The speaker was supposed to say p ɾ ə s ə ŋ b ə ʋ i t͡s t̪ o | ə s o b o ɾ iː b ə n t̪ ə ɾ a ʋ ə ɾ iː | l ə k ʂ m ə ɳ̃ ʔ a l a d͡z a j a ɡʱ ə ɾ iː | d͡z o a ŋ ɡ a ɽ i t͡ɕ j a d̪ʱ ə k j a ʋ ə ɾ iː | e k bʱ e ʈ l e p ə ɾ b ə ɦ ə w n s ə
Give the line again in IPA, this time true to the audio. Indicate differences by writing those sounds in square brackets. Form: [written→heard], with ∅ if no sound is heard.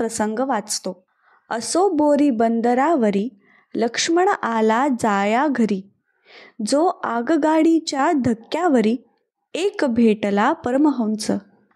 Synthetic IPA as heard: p ɾ ə s ə ŋ [b→ɡ] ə ʋ [i→a] t͡s t̪ o | ə s o b o ɾ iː b ə n [t̪→d̪] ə ɾ a ʋ ə ɾ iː | l ə k ʂ m ə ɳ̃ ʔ a l a d͡z a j a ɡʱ ə ɾ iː | d͡z o a [ŋ→ɡ] ɡ a ɽ i t͡ɕ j a d̪ʱ ə k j a ʋ ə ɾ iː | e k bʱ e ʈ l [e→a] p ə ɾ [b→m] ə ɦ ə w n [s→t͡s] ə